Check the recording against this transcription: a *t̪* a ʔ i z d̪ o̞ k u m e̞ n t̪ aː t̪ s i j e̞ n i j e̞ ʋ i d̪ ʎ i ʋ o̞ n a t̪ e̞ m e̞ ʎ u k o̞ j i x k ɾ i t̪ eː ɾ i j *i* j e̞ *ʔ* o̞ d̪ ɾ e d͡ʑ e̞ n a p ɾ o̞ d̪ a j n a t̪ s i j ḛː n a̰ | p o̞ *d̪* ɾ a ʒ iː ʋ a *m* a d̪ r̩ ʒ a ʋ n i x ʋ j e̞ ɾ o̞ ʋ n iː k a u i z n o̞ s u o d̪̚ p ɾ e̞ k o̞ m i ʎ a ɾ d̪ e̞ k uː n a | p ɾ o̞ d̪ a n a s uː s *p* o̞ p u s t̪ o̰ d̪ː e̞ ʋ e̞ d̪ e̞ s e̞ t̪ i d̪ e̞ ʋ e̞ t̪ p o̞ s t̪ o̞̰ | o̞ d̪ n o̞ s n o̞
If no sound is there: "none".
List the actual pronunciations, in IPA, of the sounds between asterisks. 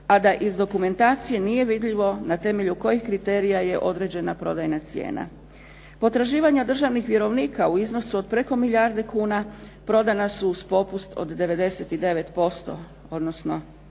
d̪, a, ʔ, t̪, ɲ, p

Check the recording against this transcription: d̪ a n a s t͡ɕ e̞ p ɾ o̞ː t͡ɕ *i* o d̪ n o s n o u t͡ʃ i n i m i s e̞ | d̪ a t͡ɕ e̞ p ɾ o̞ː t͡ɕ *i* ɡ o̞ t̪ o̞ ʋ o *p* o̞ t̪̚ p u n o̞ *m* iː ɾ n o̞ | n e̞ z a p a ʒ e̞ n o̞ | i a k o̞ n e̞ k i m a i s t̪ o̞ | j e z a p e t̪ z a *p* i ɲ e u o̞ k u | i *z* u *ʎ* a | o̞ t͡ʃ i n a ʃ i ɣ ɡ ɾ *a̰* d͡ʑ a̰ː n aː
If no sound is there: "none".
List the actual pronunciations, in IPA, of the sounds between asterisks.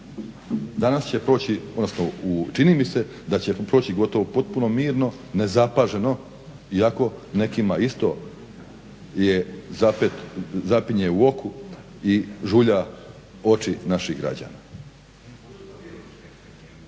i, i, p, m, p, ʒ, ʎ, a̰

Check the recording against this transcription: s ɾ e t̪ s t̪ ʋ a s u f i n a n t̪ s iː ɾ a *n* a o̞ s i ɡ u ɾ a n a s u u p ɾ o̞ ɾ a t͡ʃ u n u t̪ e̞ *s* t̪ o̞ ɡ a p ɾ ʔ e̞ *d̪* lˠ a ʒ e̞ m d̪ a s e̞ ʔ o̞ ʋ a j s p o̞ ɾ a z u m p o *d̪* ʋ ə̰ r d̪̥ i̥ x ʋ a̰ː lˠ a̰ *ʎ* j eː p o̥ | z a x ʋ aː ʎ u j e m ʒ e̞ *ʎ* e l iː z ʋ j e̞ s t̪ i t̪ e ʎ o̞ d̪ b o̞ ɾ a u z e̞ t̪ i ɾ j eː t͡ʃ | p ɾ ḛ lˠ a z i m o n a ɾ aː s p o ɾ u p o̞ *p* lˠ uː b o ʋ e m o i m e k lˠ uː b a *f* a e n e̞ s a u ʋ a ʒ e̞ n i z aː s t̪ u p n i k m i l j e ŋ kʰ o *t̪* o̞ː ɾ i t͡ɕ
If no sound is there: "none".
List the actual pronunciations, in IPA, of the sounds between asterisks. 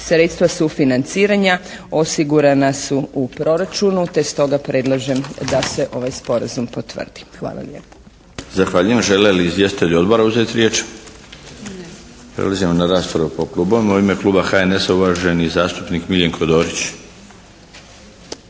ɲ, s, d̪, t̪, l, l, k, x, d̪

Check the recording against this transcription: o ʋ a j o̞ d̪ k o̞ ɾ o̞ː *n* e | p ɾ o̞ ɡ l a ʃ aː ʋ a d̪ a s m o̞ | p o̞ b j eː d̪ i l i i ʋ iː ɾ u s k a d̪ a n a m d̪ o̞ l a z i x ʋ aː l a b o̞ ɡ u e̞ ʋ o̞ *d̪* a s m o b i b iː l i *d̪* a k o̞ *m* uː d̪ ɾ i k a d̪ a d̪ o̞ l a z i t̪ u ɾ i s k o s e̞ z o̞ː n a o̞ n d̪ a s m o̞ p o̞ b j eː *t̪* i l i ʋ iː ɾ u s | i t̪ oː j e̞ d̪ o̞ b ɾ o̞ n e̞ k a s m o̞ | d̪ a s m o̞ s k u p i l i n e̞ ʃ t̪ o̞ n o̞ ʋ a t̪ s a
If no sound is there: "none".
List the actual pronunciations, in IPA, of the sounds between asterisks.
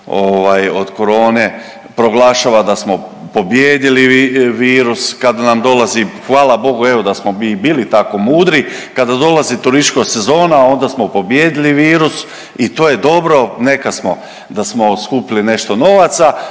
n, d̪, t̪, m, d̪

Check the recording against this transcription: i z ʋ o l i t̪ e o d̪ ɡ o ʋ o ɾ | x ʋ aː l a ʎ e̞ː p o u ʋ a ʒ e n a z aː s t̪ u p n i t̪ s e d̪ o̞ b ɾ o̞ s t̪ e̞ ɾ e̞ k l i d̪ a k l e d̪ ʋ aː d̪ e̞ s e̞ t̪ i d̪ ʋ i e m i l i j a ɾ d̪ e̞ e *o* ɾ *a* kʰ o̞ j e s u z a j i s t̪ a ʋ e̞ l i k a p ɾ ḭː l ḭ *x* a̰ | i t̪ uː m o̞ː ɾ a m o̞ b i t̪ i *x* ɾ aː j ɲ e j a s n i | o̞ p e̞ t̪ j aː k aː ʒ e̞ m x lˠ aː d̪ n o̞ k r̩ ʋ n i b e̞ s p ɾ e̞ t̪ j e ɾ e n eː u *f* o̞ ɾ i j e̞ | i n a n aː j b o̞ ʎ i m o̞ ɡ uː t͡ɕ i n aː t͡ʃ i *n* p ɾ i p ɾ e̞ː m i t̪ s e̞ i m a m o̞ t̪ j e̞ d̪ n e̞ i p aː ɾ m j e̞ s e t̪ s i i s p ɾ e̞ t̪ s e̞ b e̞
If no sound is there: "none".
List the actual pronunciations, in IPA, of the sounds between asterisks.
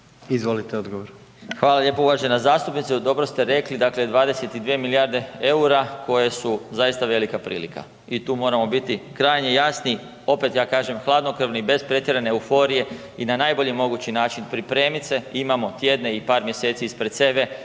u, a, k, k, f, n

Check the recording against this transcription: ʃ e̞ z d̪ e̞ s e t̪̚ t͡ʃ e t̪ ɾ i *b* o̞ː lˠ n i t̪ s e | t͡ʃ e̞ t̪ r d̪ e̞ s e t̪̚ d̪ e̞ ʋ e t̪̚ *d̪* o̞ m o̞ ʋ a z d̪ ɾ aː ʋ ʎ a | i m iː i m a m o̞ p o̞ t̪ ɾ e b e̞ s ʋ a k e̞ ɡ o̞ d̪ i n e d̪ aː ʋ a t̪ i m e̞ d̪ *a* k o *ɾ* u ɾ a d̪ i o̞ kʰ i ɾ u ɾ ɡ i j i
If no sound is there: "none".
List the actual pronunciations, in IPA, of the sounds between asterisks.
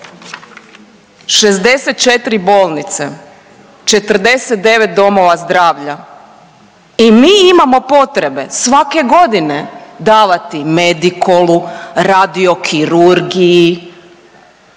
b, d̪, i, l

